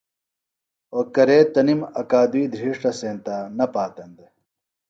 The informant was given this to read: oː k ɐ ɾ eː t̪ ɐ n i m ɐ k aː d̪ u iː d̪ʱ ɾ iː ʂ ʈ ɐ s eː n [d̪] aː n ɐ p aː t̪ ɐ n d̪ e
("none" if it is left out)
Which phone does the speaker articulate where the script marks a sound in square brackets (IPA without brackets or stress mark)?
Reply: t̪